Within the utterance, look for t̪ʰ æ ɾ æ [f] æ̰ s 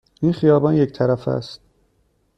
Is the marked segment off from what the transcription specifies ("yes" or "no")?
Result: no